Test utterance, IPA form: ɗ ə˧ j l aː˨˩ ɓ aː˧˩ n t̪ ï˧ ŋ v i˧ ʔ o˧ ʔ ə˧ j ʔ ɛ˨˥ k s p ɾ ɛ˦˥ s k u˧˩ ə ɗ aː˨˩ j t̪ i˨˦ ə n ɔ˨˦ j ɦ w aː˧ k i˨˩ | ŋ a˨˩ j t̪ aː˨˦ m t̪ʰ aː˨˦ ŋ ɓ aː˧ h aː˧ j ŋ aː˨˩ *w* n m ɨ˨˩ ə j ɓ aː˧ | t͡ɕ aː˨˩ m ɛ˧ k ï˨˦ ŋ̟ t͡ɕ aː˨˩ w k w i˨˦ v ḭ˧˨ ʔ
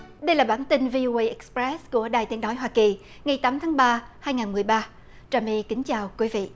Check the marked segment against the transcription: incorrect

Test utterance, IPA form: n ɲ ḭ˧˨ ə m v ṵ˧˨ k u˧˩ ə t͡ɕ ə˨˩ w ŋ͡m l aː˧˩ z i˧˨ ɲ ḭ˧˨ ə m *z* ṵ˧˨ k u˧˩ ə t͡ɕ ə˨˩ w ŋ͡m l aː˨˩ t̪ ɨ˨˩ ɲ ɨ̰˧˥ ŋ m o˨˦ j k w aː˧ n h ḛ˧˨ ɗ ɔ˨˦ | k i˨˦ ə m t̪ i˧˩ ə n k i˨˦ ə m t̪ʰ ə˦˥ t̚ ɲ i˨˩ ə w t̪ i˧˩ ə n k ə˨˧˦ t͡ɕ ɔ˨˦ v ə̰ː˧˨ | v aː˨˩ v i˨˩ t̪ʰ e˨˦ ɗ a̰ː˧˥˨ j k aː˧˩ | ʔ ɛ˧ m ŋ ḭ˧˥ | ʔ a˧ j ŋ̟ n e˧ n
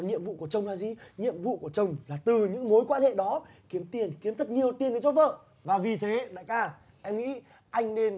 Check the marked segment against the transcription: incorrect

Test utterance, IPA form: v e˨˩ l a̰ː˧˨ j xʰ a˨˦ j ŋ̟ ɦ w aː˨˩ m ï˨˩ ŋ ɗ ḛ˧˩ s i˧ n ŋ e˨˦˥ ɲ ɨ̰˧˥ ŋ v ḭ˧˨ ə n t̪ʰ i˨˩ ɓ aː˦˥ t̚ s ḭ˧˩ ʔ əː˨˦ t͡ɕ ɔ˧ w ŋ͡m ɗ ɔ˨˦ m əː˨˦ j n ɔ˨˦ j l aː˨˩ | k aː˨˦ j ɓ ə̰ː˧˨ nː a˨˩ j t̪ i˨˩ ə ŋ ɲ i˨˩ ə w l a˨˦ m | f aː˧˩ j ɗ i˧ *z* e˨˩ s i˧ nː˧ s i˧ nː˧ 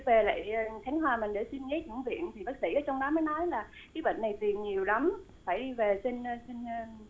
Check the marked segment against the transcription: incorrect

